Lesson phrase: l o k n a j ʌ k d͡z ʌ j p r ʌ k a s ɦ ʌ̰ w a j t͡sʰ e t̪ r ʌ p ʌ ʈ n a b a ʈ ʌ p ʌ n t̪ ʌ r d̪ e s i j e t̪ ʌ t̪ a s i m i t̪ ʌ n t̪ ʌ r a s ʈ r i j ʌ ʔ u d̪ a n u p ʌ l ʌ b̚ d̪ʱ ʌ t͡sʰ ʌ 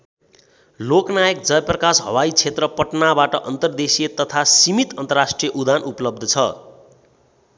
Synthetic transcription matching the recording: l o k n a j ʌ k d͡z ʌ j p r ʌ k a s ɦ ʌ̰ w a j t͡sʰ e t̪ r ʌ p ʌ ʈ n a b a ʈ ʌ ʔ ʌ n t̪ ʌ r d̪ e s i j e t̪ ʌ t̪ʰ a s i m i t̪ ʌ n t̪ ʌ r a s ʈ r i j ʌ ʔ u d̪ a n u p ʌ l ʌ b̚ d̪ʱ ʌ t͡sʰ ʌ